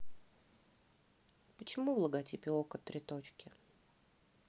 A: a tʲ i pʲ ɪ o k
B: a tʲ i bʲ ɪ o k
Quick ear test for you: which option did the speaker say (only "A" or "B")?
A